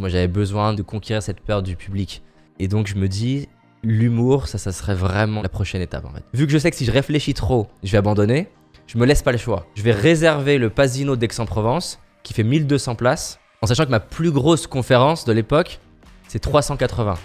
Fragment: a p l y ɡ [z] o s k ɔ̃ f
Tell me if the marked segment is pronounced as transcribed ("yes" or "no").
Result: no